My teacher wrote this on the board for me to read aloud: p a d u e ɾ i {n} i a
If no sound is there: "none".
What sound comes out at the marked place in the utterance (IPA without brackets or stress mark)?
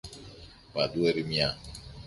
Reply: m